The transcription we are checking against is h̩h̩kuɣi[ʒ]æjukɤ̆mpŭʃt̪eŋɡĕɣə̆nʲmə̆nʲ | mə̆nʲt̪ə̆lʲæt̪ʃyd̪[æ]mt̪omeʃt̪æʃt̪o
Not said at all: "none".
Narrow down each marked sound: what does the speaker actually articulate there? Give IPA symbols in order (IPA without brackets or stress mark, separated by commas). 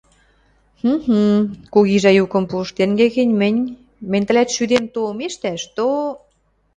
ʒ, e